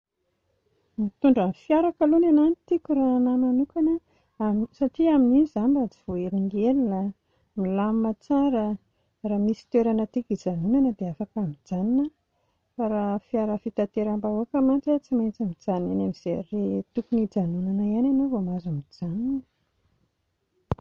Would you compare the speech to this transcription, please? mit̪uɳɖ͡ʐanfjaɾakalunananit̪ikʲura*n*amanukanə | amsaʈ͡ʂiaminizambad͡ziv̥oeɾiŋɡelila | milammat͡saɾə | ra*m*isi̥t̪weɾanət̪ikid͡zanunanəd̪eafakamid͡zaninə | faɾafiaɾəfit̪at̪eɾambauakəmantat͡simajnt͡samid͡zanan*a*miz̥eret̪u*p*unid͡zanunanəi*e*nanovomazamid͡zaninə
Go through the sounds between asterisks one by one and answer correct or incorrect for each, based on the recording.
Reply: correct, correct, correct, incorrect: k, incorrect: a

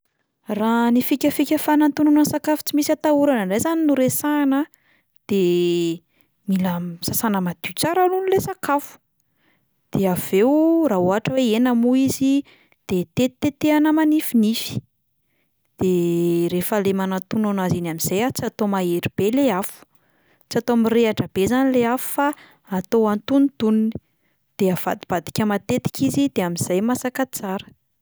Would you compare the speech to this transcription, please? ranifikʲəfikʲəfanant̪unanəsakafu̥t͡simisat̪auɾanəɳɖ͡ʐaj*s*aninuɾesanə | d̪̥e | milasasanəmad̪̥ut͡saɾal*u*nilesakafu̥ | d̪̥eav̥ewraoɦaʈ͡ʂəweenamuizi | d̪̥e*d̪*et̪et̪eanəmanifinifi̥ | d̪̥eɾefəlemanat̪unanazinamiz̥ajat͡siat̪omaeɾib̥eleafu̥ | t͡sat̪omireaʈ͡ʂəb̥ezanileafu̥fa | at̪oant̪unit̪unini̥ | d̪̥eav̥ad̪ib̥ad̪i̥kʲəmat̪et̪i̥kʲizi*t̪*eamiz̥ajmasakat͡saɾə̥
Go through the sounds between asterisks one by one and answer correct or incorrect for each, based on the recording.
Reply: incorrect: z, correct, incorrect: t̪, incorrect: d̪

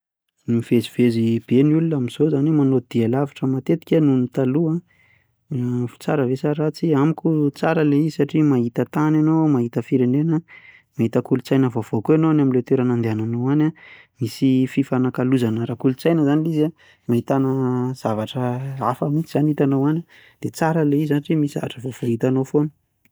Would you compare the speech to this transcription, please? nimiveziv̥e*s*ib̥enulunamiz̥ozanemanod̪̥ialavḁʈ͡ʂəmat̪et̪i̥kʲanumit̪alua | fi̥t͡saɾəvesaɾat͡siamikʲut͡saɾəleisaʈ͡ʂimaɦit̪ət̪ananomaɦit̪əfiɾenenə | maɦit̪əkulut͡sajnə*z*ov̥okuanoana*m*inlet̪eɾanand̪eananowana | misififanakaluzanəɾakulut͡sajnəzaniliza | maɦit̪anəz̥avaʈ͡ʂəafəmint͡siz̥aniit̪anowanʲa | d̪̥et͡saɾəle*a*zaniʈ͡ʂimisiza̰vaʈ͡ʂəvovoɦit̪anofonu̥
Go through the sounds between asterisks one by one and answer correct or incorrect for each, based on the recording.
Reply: incorrect: z, incorrect: v, correct, incorrect: i

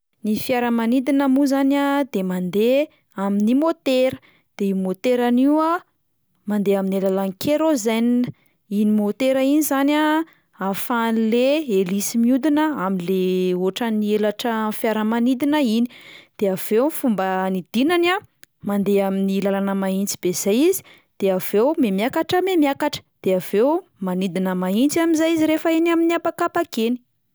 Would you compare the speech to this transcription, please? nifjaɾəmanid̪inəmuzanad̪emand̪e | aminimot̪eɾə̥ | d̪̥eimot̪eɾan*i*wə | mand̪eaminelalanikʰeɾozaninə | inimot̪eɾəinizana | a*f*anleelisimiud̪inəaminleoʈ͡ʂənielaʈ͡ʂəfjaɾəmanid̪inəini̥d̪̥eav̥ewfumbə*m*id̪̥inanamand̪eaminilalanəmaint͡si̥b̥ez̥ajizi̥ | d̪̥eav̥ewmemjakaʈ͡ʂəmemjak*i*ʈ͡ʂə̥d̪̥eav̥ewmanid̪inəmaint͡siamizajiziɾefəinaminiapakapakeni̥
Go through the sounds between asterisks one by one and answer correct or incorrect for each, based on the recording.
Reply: correct, correct, incorrect: n, incorrect: a

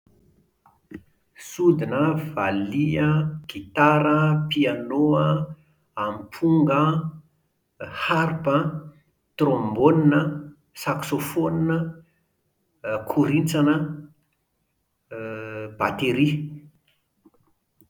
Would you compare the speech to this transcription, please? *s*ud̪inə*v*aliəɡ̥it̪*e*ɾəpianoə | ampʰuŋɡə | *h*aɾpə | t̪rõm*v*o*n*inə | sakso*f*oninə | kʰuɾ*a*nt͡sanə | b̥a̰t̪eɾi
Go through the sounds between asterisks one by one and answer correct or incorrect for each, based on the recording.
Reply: correct, correct, incorrect: a, correct, incorrect: b, correct, correct, incorrect: i

